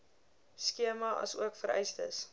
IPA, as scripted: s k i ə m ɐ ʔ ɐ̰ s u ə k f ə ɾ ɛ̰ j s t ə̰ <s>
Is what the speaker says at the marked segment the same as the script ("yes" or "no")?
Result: yes